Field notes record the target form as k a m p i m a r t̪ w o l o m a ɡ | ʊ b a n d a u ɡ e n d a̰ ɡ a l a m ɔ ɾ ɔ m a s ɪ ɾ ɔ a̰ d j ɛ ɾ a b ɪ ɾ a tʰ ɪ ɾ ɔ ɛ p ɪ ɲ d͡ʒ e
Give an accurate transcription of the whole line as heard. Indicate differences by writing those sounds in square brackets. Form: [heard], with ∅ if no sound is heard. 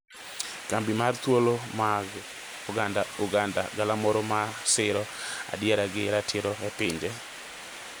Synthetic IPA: k a m [b] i m a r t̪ w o l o m a ɡ | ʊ [ɡ] a n d a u ɡ [a] n d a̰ ɡ a l a m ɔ ɾ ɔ m a s ɪ ɾ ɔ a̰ d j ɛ ɾ a [ɡ] ɪ ɾ a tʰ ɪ ɾ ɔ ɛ p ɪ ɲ d͡ʒ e